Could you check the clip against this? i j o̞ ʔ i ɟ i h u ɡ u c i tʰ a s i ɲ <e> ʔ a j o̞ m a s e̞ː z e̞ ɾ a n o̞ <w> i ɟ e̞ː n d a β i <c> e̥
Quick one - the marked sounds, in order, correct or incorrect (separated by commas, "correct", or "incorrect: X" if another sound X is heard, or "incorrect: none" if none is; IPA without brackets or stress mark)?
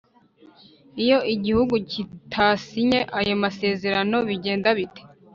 correct, incorrect: β, incorrect: t